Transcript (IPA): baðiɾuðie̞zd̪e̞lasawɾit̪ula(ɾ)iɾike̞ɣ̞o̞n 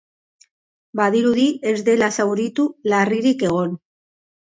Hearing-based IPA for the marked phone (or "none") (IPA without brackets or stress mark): r